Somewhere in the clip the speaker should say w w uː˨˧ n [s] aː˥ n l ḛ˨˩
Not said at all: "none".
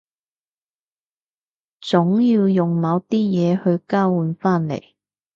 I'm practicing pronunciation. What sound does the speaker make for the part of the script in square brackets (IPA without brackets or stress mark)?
f